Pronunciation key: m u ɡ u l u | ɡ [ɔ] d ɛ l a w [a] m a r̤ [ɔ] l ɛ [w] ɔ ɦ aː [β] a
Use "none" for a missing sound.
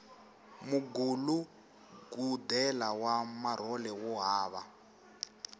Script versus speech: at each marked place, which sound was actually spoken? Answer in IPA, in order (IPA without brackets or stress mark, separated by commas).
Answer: u, a, ɔ, w, β